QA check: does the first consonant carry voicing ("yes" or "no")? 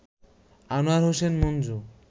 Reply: yes